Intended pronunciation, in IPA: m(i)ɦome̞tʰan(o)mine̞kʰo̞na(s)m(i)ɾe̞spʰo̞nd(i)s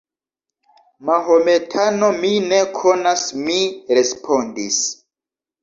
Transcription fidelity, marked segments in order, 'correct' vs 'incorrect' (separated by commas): incorrect, correct, correct, correct, correct